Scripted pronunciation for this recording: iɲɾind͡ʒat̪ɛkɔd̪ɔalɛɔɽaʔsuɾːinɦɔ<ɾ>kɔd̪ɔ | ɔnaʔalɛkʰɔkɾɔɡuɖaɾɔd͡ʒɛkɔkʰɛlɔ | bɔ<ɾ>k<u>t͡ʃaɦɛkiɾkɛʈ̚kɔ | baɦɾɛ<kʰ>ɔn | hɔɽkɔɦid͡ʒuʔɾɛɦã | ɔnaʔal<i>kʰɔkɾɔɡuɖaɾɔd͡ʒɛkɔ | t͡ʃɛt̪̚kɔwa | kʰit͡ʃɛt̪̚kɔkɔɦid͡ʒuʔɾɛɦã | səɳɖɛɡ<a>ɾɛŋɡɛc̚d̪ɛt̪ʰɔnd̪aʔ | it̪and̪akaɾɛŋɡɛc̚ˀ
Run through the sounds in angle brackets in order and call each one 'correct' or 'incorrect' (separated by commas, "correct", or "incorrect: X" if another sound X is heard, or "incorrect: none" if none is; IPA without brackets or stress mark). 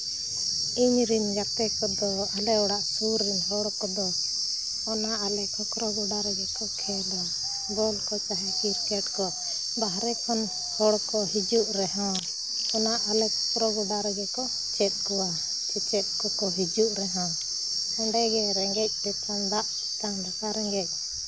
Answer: incorrect: ɽ, incorrect: l, incorrect: ɔ, correct, incorrect: ɛ, incorrect: ɛ